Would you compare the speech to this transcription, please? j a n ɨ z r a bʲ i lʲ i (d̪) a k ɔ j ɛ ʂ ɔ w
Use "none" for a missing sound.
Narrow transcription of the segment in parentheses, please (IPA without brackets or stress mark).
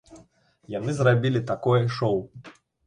t̪